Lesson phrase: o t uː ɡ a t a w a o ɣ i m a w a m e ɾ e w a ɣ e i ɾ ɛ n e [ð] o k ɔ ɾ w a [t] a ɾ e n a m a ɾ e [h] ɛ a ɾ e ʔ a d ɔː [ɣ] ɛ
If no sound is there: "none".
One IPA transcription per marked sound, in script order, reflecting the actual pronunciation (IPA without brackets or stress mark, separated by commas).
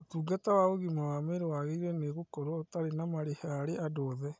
ɣ, t, h, ð